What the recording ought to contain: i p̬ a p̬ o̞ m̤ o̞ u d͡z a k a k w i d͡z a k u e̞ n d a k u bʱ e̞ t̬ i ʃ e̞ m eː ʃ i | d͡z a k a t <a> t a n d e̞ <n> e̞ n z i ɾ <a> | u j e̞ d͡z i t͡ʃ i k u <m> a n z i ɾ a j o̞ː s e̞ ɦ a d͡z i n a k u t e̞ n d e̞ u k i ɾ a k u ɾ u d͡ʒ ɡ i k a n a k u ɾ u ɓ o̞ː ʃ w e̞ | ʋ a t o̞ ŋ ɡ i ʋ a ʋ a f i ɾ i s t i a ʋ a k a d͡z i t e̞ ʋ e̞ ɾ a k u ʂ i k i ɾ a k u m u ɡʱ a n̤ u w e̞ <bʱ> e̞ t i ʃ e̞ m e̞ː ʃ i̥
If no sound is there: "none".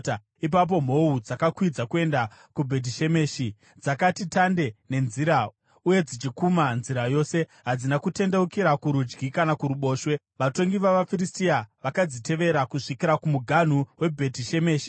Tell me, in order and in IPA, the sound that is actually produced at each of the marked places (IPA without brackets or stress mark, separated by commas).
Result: i, n, a, m, bʱ